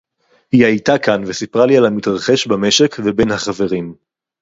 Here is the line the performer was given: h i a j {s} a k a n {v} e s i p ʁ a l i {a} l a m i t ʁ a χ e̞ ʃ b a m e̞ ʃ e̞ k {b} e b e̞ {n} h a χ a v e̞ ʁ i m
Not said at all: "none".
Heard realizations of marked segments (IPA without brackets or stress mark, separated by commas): t, v, a, v, n